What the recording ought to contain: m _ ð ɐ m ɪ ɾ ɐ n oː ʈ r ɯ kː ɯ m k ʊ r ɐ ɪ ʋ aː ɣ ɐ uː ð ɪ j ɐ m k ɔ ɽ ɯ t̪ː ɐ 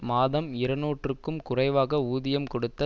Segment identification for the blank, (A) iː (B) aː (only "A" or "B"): B